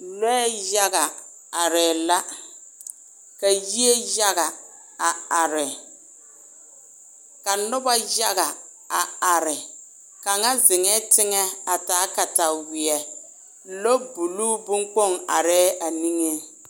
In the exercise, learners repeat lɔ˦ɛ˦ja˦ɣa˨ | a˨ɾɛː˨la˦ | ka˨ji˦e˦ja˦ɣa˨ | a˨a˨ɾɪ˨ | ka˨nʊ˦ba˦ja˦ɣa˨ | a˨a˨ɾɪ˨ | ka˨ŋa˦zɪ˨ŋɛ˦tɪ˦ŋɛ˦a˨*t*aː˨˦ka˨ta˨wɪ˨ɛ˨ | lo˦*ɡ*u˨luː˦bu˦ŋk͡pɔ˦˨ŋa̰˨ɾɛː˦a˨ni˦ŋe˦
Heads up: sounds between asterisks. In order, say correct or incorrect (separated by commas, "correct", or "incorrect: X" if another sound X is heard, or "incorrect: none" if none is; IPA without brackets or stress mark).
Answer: correct, incorrect: b